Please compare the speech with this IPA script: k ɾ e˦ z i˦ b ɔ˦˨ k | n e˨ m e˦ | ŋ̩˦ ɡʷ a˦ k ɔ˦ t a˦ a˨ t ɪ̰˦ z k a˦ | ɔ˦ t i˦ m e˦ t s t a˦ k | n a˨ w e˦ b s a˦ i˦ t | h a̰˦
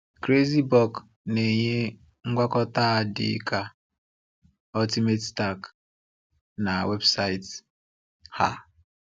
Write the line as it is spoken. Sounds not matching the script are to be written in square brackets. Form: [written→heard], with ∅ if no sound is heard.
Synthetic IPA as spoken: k ɾ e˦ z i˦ b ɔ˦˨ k | n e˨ [m→ɲ] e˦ | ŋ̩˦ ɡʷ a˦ k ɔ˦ t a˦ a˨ [t→d] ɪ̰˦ [z→∅] k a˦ | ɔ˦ t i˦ m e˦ t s t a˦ k | n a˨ w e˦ b s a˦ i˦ t | h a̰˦